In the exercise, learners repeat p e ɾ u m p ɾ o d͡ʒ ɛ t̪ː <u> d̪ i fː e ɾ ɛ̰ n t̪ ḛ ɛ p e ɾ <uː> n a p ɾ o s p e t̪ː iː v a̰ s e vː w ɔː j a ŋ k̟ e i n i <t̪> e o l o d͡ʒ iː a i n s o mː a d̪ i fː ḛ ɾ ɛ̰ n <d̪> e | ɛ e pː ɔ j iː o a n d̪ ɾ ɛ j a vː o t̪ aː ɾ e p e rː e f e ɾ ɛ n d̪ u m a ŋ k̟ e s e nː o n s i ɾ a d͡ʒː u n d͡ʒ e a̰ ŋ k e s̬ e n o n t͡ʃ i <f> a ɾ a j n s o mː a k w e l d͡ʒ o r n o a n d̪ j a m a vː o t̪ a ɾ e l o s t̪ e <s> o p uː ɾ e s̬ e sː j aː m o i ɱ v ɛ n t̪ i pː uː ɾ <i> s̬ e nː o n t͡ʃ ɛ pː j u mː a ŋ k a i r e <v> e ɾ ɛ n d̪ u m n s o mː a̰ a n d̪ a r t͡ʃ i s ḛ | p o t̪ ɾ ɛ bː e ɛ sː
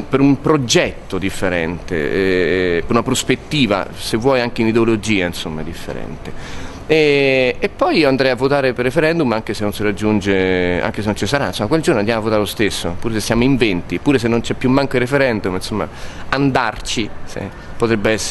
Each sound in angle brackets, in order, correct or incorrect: incorrect: o, incorrect: u, incorrect: d̪, incorrect: t̪, incorrect: s, incorrect: sː, incorrect: e, incorrect: f

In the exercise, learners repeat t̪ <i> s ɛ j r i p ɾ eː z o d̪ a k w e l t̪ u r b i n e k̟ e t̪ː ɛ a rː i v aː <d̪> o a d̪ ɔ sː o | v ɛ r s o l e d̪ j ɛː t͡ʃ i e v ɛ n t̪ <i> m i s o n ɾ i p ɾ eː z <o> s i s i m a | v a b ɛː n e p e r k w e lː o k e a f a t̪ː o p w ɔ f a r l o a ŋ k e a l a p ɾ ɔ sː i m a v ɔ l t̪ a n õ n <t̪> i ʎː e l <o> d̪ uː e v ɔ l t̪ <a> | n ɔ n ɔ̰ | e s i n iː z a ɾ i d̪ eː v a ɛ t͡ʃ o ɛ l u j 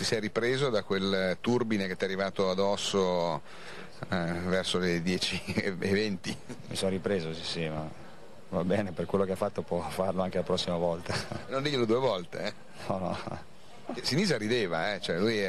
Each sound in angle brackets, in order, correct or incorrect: correct, incorrect: t̪, correct, correct, incorrect: d̪, correct, incorrect: e

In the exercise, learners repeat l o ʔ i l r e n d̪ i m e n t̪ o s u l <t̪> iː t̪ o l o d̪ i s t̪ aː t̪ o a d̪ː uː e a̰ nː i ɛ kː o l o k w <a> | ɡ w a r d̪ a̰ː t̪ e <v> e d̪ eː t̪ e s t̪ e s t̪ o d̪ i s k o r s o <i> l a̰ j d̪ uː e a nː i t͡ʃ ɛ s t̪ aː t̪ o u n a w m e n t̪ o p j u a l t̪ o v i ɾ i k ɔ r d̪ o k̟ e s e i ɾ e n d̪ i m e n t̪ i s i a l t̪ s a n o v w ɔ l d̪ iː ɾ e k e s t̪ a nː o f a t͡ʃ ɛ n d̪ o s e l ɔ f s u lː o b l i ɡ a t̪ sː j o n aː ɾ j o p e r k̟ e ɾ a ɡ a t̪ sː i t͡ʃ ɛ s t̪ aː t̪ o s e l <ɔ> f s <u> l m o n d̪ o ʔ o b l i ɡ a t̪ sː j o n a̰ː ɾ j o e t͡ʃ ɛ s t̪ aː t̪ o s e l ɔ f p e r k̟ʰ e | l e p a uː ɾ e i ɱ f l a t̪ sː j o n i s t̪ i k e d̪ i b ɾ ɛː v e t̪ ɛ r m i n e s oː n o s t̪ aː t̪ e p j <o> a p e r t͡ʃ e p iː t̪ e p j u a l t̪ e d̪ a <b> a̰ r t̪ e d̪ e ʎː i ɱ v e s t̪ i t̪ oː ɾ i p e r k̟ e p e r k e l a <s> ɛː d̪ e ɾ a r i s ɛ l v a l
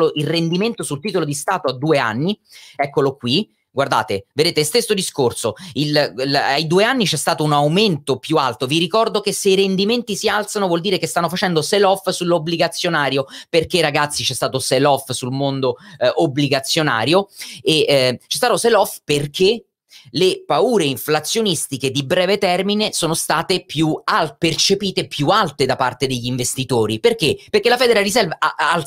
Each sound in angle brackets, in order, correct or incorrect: correct, incorrect: i, correct, correct, correct, correct, incorrect: u, incorrect: p, incorrect: f

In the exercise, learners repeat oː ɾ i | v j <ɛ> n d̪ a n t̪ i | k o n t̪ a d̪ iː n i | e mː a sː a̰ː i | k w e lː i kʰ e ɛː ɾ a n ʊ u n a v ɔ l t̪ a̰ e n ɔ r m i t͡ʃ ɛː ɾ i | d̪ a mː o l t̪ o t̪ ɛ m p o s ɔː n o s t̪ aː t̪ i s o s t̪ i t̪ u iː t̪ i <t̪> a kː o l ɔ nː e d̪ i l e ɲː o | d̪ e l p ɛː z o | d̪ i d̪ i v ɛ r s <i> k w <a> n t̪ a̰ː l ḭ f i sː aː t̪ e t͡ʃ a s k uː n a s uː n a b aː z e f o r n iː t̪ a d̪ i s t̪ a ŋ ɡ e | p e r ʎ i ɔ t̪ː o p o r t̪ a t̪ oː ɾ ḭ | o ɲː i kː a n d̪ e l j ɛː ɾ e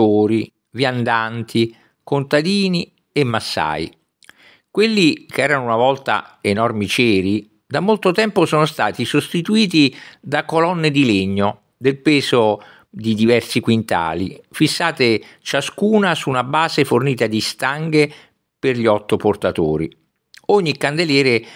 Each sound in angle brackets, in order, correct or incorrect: incorrect: a, incorrect: d̪, correct, incorrect: i

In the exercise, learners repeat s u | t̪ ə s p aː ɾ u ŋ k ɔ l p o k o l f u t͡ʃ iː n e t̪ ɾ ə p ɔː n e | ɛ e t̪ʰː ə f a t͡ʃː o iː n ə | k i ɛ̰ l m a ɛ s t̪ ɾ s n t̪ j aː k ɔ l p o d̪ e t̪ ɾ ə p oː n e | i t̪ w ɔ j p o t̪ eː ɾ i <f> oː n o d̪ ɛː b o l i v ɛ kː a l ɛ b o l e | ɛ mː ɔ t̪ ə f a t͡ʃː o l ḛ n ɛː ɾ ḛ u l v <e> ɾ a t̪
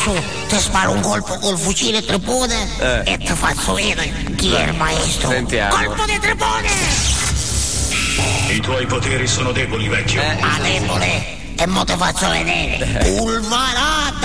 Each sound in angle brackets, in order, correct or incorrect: incorrect: s, incorrect: a

